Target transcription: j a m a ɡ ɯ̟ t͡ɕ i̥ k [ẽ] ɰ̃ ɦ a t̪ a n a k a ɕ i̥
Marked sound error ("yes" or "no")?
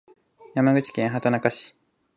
no